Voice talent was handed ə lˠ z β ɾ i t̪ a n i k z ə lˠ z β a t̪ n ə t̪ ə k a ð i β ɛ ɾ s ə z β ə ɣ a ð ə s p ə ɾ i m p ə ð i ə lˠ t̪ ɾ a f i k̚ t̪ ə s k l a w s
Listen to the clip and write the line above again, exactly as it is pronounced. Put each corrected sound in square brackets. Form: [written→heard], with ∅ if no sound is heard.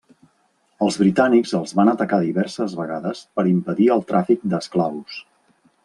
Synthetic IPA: ə lˠ z β ɾ i t̪ a n i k z ə lˠ z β a [t̪→∅] n ə t̪ ə k a ð i β ɛ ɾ s ə z β ə ɣ a ð ə s p ə ɾ i m p ə ð i ə lˠ t̪ ɾ a f i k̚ [t̪→d̪] ə s k l a w s